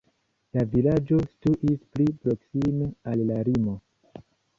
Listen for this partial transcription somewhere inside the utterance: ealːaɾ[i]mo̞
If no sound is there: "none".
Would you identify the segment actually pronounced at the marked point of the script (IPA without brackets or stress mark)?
i